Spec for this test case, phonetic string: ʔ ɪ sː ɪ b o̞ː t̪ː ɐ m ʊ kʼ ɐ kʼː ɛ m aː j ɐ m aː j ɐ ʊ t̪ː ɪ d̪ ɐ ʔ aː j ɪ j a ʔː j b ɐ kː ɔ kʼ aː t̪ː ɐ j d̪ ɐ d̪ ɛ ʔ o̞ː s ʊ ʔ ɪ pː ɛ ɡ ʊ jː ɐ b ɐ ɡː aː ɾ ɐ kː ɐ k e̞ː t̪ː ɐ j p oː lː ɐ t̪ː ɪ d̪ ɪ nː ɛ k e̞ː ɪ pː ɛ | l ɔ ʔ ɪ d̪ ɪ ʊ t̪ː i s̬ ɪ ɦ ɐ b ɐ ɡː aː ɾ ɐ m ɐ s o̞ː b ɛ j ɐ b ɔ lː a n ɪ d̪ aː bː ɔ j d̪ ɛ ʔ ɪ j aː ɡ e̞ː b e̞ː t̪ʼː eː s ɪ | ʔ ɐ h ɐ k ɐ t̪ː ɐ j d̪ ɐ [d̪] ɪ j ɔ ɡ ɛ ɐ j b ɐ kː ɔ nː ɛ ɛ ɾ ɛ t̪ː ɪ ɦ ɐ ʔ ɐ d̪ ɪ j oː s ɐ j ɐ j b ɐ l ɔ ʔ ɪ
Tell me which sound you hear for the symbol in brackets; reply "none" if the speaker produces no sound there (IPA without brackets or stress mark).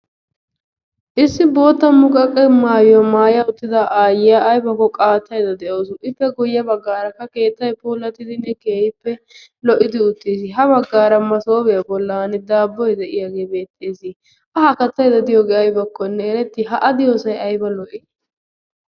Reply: d̪